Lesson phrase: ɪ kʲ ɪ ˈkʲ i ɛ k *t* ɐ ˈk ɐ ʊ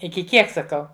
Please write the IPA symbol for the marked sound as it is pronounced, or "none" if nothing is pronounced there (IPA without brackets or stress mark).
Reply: s